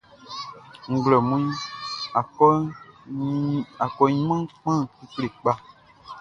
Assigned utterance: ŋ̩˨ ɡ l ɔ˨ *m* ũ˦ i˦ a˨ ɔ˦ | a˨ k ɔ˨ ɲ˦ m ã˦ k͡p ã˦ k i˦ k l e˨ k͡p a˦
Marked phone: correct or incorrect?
correct